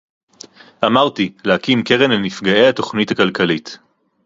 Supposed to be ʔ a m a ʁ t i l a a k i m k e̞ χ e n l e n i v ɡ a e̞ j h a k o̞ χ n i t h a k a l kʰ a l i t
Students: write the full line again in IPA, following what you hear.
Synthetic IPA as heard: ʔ a m a ʁ t i l e a k i m k e̞ ʁ e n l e n i f ɡ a e̞ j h a t o̞ χ n i t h a k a l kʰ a l i t